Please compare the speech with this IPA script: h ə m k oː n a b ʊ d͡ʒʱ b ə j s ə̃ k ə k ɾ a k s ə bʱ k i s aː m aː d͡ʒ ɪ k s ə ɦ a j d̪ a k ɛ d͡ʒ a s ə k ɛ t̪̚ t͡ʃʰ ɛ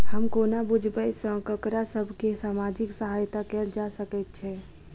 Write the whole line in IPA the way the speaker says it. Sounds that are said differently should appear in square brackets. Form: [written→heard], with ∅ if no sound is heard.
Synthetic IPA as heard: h ə m k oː n a b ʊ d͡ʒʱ b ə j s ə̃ k ə k ɾ a [k→∅] s ə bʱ k [i→e] s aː m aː d͡ʒ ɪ k s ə ɦ a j [d̪→t̪] a k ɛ d͡ʒ a s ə k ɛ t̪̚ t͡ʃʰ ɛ